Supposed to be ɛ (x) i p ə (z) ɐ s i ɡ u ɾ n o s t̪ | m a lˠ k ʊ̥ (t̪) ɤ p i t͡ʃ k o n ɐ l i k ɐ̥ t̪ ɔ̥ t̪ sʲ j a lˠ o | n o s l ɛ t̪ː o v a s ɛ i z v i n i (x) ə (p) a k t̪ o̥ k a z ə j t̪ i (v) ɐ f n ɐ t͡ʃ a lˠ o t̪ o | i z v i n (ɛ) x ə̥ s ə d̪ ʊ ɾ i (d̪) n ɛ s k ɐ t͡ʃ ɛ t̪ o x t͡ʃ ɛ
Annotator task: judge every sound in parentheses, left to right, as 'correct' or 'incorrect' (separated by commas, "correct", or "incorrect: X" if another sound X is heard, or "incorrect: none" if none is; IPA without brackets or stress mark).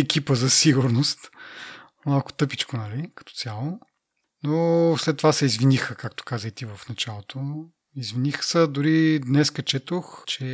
incorrect: k, correct, correct, correct, incorrect: k, correct, incorrect: i, correct